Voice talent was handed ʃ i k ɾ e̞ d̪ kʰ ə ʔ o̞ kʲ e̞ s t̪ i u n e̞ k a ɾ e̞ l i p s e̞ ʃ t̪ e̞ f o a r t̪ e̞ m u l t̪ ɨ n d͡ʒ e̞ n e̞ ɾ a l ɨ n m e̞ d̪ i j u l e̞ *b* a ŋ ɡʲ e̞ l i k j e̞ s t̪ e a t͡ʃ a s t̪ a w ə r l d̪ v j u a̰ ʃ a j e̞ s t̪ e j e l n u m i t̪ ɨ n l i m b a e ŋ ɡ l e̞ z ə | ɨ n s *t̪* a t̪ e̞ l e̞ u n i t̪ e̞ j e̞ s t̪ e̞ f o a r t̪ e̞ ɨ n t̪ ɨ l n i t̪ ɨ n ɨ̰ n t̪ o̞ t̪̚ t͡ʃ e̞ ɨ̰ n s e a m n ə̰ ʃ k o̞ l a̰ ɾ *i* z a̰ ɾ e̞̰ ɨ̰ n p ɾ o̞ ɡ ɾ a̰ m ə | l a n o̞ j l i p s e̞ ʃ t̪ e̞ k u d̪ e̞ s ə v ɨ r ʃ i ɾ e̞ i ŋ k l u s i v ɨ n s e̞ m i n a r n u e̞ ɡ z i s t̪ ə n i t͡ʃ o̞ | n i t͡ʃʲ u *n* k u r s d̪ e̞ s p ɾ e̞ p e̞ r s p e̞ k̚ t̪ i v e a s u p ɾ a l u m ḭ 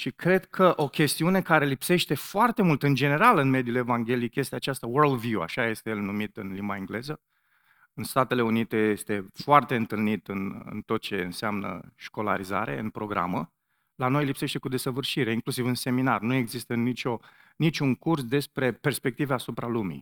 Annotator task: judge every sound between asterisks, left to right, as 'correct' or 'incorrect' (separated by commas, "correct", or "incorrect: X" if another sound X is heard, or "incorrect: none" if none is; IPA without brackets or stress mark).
incorrect: v, correct, correct, incorrect: ŋ